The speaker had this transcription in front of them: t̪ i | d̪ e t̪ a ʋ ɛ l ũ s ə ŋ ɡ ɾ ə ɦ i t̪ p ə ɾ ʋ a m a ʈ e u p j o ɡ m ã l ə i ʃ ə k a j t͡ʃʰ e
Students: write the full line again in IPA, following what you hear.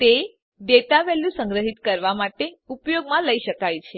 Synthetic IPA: t̪ e | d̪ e t̪ a ʋ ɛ l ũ s ə ŋ ɡ ɾ ə ɦ i t̪ k ə ɾ ʋ a m a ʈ e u p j o ɡ m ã l ə i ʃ ə k a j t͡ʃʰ e